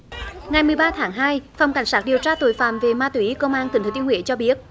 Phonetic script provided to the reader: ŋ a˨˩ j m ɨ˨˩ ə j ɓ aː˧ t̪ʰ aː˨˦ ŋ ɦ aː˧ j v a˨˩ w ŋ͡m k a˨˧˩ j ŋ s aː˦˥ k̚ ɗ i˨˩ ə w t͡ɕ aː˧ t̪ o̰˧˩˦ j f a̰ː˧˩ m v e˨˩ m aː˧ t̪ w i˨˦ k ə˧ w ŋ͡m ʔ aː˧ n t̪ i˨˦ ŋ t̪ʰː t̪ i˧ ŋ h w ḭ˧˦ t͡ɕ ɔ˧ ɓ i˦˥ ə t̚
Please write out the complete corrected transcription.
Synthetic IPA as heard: ŋ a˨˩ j m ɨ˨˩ ə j ɓ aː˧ t̪ʰ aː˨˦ ŋ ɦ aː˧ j f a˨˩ w ŋ͡m k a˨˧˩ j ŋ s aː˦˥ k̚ ɗ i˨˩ ə w t͡ɕ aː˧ t̪ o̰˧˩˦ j f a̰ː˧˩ m v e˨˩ m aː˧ t̪ w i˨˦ k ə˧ w ŋ͡m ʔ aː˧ n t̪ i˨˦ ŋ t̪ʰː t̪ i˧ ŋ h w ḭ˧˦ t͡ɕ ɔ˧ ɓ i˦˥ ə t̚

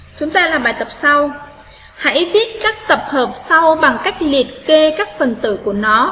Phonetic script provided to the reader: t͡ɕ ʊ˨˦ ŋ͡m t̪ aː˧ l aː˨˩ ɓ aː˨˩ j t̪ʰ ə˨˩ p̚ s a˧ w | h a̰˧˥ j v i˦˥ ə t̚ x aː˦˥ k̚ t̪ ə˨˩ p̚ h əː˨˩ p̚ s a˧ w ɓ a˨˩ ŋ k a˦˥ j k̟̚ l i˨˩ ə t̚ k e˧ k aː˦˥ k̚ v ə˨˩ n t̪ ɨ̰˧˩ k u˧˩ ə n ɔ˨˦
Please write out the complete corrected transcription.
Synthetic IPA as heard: t͡ɕ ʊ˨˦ ŋ͡m t̪ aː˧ l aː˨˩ ɓ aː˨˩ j t̪ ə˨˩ p̚ s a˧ w | h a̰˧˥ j v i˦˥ ə t̚ k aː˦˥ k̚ t̪ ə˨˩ p̚ h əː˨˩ p̚ s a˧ w ɓ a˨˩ ŋ k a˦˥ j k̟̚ l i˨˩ ə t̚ k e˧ k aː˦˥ k̚ f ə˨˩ n t̪ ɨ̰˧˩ k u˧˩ ə n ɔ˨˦

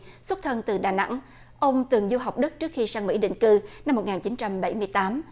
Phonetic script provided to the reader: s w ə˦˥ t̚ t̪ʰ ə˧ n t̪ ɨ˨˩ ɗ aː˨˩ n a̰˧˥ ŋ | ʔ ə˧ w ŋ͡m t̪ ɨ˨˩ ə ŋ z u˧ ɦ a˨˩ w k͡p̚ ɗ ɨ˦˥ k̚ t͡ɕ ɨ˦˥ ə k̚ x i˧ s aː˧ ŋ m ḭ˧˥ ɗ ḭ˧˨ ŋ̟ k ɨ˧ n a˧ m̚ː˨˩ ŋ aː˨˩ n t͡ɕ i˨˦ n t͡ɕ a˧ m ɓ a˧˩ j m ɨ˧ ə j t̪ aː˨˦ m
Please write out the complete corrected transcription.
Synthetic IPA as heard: s w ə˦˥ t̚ t̪ʰ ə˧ n t̪ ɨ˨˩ ɗ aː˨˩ n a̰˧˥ ŋ | ʔ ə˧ w ŋ͡m t̪ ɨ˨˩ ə ŋ z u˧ ɦ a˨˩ w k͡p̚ ɗ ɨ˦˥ k̚ t͡ɕ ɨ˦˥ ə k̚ x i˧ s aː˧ ŋ m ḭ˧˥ ɗ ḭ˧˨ ŋ̟ k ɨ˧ n a˧ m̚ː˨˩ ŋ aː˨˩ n t͡ɕ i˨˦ n t͡ɕ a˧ m ɓ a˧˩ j m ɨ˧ ə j t̪ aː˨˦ m

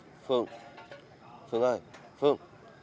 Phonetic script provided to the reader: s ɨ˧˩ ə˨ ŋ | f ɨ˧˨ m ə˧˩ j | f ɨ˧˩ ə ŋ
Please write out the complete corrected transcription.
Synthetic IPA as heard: f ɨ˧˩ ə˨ ŋ | f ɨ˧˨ ŋ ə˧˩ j | f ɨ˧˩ ə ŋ

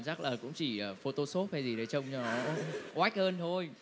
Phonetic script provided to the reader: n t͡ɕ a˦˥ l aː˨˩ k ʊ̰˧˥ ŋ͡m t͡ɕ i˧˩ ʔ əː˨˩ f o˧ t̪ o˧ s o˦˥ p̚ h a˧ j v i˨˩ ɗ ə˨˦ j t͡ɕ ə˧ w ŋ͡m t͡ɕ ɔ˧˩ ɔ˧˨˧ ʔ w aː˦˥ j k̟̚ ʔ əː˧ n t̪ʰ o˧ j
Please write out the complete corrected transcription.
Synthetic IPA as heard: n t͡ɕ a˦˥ l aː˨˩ k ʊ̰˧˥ ŋ͡m t͡ɕ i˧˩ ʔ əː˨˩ f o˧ t̪ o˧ s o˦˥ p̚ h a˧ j z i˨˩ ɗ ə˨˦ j t͡ɕ ə˧ w ŋ͡m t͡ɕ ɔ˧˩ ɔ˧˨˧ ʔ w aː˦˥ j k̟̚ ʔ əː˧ n t̪ʰ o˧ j

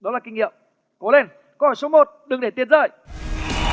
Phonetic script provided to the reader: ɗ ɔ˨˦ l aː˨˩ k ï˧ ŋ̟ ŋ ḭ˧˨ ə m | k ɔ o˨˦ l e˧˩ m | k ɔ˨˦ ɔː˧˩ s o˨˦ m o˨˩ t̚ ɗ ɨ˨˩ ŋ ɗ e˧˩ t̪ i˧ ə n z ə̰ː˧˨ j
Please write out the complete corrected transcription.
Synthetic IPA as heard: ɗ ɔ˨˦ l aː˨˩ k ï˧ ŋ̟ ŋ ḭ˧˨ ə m | k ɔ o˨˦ l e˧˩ n | k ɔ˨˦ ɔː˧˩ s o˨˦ m o˨˩ t̚ ɗ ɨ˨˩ ŋ ɗ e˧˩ t̪ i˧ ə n z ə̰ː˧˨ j

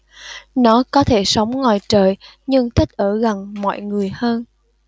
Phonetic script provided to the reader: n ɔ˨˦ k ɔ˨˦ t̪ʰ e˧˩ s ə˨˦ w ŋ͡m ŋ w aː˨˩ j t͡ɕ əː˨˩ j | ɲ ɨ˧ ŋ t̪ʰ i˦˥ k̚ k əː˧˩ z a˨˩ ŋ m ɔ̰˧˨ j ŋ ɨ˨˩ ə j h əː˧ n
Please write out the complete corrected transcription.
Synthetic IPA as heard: n ɔ˨˦ k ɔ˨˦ t̪ʰ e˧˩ s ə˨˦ w ŋ͡m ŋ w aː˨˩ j t͡ɕ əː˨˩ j | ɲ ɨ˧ ŋ t̪ʰ i˦˥ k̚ ʔ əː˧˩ ɣ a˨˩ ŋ m ɔ̰˧˨ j ŋ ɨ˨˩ ə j h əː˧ n

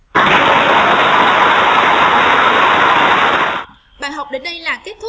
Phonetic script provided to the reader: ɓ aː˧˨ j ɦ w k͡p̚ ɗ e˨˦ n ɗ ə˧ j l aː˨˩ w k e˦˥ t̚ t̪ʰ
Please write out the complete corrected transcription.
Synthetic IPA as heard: ɓ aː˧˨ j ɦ w k͡p̚ ɗ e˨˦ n ɗ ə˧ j l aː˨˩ k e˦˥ t̚ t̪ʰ

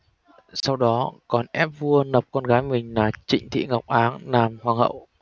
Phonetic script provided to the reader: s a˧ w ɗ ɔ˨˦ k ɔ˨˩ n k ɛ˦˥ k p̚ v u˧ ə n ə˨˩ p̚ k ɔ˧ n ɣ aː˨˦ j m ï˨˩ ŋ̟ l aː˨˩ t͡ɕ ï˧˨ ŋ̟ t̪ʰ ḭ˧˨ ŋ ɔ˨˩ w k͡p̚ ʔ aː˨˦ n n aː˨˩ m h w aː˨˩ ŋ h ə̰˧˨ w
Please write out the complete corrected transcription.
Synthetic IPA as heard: s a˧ w ɗ ɔ˨˦ k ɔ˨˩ n ʔ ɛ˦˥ p̚ v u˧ ə n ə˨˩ p̚ k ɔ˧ n ɣ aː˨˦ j m ï˨˩ ŋ̟ l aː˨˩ t͡ɕ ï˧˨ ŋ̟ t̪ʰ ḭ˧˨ ŋ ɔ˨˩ w k͡p̚ ʔ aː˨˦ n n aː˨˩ m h w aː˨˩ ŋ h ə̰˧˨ w

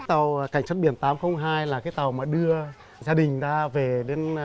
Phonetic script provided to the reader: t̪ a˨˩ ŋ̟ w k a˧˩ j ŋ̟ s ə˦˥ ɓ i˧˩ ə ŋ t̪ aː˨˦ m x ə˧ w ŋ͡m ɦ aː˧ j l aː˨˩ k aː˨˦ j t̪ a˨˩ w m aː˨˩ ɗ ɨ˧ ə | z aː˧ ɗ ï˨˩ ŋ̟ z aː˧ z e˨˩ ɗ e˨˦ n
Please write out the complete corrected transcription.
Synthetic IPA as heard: t̪ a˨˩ w k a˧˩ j ŋ̟ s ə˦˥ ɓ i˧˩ ə n t̪ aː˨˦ m x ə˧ w ŋ͡m ɦ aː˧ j l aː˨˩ k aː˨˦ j t̪ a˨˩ w m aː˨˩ ɗ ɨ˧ ə | z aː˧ ɗ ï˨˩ ŋ̟ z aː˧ v e˨˩ ɗ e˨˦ n

